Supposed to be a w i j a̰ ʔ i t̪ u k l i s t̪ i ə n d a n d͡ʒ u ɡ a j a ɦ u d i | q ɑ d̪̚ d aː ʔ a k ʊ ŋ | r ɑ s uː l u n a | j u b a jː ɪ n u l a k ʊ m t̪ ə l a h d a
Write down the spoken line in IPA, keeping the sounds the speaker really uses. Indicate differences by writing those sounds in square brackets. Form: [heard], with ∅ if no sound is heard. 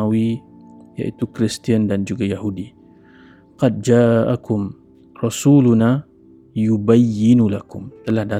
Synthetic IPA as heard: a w i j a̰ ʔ i t̪ u k [ɾ] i s t̪ i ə n d a n d͡ʒ u ɡ a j a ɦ u d i | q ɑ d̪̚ [d͡ʒ] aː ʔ a k ʊ [m] | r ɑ s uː l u n a | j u b a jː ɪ n u l a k ʊ m t̪ ə l a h d a